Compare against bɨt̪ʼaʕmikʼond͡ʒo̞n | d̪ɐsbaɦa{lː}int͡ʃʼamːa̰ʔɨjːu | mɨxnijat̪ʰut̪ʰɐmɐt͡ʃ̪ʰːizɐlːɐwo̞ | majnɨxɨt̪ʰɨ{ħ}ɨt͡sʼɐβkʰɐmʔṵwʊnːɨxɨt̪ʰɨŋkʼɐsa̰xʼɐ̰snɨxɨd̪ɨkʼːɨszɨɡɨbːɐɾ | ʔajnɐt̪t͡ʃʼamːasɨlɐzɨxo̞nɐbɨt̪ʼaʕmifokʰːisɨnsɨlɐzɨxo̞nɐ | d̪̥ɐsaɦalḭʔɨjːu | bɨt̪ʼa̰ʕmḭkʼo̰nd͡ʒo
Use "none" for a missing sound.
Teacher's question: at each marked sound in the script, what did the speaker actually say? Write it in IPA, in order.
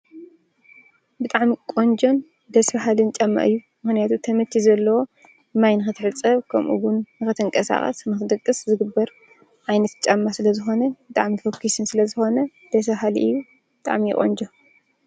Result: l, ħ

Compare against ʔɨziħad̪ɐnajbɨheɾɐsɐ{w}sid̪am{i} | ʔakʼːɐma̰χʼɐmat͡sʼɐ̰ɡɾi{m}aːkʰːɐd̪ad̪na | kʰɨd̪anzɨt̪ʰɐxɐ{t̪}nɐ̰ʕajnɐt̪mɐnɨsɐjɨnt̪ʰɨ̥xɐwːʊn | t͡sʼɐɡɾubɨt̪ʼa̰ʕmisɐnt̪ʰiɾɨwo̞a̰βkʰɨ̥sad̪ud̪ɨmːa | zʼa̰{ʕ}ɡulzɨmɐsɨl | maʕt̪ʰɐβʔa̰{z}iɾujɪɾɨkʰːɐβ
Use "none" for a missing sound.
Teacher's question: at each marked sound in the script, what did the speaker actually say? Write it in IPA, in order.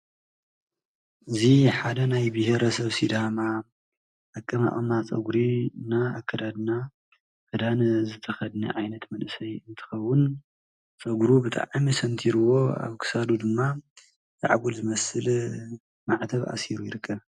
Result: β, a, n, d̪, ʕ, s

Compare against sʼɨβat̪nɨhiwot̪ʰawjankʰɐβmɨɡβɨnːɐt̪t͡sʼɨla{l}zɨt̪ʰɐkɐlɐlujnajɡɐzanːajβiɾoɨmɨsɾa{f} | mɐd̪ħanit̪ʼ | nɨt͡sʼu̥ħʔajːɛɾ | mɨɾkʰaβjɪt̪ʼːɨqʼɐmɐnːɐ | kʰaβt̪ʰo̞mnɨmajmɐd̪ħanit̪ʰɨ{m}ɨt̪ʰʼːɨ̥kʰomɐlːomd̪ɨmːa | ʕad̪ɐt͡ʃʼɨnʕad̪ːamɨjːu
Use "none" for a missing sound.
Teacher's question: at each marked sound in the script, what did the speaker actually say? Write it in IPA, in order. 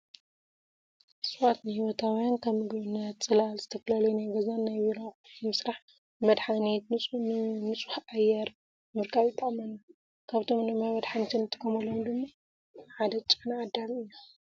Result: l, ħ, n

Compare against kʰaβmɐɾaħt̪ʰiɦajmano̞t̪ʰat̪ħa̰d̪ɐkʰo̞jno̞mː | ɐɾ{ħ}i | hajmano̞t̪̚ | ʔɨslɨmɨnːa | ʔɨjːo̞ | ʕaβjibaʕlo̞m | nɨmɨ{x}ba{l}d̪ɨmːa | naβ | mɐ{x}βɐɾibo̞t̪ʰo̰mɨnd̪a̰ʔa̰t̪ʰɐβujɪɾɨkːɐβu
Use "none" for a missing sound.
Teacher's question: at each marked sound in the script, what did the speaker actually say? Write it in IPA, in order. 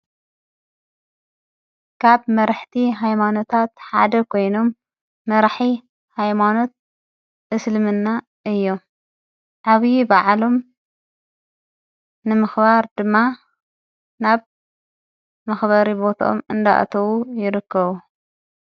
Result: ħ, x, ɾ, x

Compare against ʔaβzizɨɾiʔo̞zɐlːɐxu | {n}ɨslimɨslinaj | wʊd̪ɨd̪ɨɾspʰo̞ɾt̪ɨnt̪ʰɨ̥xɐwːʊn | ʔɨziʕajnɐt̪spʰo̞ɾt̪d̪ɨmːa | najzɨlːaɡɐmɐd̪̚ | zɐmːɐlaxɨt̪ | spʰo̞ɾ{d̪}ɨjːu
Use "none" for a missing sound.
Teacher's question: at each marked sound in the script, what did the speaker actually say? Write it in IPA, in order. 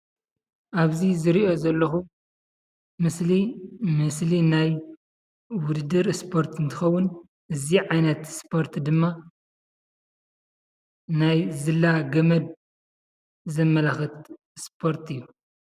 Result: m, t̪

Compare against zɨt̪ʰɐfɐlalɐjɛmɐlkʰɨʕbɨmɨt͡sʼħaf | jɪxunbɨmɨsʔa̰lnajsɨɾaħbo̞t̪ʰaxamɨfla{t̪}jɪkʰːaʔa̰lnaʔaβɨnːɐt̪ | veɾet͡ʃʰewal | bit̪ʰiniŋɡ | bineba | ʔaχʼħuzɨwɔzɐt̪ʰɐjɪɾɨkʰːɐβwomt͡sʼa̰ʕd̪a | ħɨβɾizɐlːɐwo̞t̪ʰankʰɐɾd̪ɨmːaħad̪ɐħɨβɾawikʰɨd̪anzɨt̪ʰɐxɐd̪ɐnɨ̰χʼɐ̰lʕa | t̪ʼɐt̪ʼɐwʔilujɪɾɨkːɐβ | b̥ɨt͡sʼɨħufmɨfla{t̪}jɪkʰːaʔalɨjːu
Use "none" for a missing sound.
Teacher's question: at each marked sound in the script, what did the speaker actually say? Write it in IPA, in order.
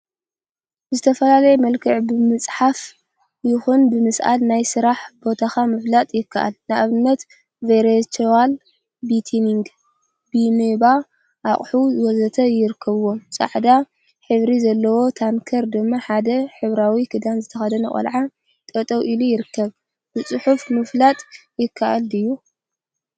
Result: t̪ʼ, t̪ʼ

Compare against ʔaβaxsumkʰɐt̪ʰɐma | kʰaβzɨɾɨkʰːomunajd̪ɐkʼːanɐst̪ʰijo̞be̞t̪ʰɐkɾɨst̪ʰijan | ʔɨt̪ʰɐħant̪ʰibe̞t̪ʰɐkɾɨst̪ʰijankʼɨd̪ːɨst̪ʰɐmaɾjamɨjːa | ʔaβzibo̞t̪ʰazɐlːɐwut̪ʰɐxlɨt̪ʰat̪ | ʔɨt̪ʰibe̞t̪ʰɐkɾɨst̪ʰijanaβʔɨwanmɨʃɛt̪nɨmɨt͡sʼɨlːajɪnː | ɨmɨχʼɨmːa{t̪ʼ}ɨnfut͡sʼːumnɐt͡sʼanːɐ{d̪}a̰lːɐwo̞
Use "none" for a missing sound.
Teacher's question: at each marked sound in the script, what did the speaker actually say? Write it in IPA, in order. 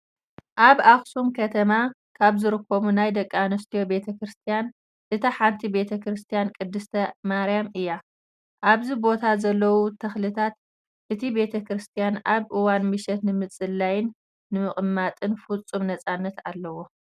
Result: t̪ʼ, t̪

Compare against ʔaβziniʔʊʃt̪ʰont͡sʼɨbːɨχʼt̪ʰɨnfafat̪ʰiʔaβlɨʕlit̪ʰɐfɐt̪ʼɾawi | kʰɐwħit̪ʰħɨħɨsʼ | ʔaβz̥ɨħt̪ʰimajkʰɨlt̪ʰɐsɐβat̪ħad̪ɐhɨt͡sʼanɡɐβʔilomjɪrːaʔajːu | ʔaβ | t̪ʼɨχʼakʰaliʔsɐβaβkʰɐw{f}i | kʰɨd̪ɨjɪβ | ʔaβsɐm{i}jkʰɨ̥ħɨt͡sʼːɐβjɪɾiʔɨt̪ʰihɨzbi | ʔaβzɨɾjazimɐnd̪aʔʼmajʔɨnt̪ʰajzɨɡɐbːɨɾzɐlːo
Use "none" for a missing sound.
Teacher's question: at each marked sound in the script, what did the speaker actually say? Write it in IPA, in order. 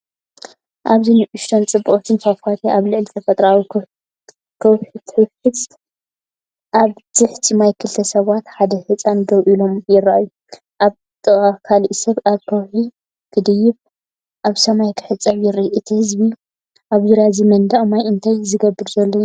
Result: ħ, a

